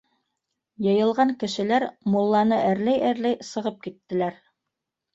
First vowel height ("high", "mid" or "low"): mid